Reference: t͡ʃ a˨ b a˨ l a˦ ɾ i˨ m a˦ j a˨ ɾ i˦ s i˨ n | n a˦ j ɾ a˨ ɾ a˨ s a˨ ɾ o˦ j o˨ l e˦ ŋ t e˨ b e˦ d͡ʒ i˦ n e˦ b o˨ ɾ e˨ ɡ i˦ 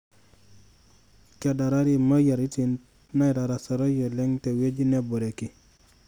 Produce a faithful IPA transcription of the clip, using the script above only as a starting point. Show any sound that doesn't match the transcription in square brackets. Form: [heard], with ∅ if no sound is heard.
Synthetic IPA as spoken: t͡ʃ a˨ [d] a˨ [ɾ] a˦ ɾ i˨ m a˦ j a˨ ɾ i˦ [t] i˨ n | n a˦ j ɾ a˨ ɾ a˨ s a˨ ɾ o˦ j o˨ l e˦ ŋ t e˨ [w] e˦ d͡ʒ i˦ n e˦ b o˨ ɾ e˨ [k] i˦